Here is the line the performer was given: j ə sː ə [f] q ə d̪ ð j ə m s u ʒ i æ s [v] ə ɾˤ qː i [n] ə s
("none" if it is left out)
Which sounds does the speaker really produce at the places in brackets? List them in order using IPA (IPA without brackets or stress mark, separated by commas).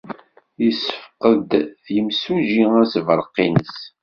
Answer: f, v, n